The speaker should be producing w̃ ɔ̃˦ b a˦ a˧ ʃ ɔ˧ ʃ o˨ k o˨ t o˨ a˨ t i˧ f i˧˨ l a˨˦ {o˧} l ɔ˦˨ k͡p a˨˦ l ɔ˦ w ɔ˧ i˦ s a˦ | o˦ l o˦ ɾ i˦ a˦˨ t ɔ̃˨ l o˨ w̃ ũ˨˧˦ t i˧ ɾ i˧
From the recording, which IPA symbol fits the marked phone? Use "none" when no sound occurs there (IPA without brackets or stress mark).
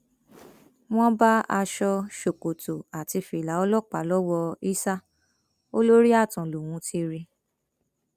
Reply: ɔ˧